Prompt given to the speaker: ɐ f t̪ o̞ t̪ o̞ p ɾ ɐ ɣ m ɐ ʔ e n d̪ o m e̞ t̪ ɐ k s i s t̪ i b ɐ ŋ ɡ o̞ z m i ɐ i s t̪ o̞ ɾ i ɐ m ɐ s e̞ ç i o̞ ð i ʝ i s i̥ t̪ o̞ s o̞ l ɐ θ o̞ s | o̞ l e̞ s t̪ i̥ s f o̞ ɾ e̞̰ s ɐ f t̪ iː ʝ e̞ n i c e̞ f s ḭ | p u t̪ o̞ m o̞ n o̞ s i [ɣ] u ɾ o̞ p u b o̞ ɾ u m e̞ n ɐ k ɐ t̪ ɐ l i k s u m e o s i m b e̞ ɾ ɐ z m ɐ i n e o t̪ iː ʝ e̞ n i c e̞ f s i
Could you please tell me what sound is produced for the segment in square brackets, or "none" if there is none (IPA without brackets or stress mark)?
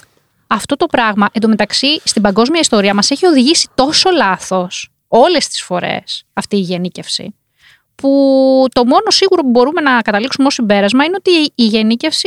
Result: ɣ